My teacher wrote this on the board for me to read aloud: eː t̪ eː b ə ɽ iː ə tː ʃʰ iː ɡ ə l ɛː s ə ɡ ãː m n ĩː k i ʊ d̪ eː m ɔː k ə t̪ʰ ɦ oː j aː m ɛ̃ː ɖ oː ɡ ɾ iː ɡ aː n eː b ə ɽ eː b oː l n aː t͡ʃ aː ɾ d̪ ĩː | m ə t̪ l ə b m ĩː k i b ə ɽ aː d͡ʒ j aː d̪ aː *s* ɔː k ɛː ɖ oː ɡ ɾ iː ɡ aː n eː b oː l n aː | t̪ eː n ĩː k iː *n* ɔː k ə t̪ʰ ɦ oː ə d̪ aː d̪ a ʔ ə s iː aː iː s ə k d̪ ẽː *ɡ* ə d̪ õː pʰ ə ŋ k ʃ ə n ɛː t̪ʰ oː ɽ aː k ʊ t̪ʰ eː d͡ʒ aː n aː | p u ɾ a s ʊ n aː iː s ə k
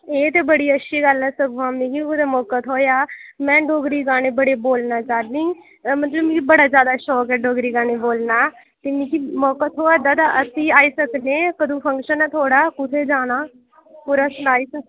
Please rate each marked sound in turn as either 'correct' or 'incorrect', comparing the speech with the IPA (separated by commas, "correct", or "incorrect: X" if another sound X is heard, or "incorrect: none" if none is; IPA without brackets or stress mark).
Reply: incorrect: ʃ, incorrect: m, incorrect: k